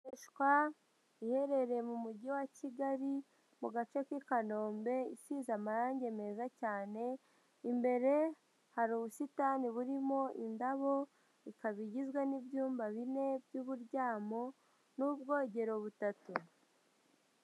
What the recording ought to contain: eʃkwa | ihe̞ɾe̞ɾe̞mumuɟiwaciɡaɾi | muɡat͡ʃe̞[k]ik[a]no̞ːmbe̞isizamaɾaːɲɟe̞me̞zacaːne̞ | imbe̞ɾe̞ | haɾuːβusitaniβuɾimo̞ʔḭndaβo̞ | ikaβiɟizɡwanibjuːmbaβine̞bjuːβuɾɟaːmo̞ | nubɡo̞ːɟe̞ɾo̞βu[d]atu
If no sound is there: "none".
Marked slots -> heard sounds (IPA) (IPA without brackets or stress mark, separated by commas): k, a, t